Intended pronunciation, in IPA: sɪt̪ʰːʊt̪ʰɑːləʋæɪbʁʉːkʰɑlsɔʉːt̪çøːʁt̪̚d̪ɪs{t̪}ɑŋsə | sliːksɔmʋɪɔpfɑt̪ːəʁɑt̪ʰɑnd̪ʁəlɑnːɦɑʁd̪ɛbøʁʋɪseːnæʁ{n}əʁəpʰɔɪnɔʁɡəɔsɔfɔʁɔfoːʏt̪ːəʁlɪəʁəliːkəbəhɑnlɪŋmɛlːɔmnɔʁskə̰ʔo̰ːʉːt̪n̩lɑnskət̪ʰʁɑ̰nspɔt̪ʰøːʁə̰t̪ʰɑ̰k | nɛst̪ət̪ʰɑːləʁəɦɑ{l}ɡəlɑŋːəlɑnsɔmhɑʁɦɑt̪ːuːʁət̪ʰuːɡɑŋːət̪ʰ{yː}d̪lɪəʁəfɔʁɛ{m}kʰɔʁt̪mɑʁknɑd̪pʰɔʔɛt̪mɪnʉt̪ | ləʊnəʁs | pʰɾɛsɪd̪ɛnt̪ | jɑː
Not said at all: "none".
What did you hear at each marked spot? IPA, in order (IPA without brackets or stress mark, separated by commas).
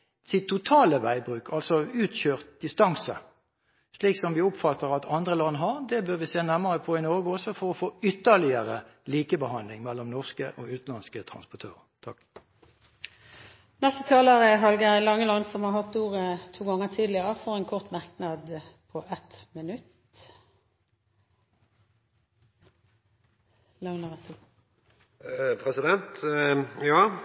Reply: t̪, m, l, iː, n